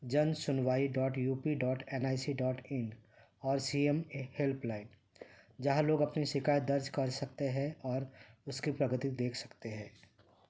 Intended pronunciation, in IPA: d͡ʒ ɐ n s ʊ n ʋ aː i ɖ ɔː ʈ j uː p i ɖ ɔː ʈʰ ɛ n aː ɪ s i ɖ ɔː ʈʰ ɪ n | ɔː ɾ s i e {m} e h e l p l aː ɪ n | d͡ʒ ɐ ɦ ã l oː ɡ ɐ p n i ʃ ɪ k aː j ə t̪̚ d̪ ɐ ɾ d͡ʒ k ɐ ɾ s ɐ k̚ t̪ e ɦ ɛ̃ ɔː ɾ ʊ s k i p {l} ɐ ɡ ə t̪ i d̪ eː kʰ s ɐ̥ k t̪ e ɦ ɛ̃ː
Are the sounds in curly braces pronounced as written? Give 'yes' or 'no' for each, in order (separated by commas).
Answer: yes, no